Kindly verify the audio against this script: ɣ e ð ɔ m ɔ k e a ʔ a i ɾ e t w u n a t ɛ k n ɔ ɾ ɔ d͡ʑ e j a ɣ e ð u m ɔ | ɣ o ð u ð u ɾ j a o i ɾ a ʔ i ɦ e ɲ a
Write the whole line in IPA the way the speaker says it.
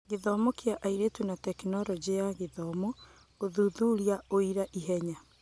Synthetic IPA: ɣ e ð ɔ m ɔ k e a ʔ a i ɾ e t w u n a t ɛ k n ɔ ɾ ɔ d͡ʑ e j a ɣ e ð ɔ m ɔ | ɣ o ð u ð u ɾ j a o i ɾ a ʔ i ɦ ɛ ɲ a